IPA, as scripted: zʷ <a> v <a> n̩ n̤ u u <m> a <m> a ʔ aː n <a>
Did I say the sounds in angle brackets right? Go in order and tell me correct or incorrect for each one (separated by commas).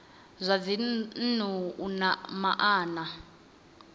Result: correct, incorrect, incorrect, correct, correct